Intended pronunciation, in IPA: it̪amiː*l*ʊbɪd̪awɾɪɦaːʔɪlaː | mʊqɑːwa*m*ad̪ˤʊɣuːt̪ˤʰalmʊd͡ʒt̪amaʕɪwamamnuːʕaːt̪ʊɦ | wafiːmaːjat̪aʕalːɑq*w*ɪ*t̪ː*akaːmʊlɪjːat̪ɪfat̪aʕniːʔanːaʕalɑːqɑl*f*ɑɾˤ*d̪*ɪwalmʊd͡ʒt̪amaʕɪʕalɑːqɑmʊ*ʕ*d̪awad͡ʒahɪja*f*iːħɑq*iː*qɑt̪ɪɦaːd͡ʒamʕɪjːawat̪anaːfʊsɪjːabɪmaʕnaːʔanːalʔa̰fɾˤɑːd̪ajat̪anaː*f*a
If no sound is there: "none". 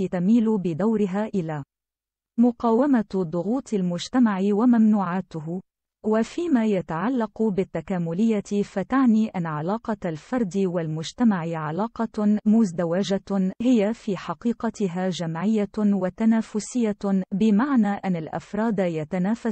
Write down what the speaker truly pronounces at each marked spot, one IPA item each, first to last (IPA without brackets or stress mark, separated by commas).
l, m, b, t̪ː, f, d̪, z, f, iː, f